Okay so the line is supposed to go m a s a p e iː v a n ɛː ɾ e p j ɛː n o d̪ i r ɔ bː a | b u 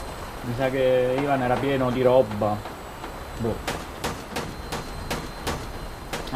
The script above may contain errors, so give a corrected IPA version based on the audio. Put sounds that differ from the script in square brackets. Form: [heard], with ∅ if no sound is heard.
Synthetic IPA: m [i] s a [k] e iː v a n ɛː ɾ [a] p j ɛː n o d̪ i [ɾ] ɔ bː a | b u